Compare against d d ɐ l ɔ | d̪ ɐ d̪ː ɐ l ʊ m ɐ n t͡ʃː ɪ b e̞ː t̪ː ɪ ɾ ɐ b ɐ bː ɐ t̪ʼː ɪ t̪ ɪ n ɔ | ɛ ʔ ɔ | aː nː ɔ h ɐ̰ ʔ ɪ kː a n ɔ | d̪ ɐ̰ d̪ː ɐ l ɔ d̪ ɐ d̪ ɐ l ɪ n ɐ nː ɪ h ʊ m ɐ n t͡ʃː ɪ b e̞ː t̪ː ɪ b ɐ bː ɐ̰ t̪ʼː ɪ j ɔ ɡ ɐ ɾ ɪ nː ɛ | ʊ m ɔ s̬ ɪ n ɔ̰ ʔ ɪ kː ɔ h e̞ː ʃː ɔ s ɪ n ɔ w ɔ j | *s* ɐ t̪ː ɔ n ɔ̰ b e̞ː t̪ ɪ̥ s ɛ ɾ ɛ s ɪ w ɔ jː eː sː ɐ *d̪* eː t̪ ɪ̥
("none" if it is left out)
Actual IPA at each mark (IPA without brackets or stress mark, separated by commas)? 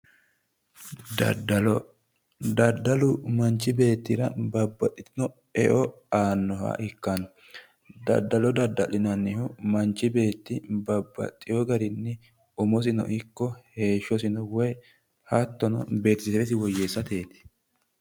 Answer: h, t̪